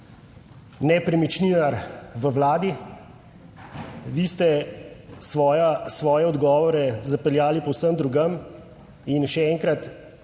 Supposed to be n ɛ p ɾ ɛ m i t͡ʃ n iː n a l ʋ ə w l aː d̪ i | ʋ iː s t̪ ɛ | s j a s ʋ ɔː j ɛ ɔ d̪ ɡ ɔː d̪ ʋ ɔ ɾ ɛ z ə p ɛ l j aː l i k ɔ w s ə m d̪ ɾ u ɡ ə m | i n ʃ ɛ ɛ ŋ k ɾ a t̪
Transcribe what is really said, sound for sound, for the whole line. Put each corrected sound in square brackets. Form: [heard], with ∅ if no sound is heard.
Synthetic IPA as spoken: n ɛ p ɾ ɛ m i t͡ʃ n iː n a [ɾ] ʋ ə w l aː d̪ i | ʋ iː s t̪ ɛ | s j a s ʋ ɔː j ɛ ɔ d̪ ɡ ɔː [∅] ʋ ɔ ɾ ɛ z [a] p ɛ l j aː l i [p] ɔ w s ə m d̪ ɾ u ɡ ə m | i n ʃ ɛ ɛ ŋ k ɾ a t̪